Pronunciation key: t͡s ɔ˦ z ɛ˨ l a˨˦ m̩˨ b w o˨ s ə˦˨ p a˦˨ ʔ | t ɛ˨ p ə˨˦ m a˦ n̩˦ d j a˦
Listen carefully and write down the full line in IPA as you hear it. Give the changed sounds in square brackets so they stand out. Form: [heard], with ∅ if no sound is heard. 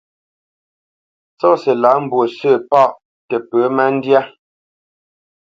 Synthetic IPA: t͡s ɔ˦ [s] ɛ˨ l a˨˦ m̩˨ b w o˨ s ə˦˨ p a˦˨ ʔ | t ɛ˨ p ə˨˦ m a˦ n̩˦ d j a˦